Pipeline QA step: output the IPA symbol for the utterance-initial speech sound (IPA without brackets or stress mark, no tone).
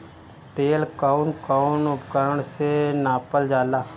t̪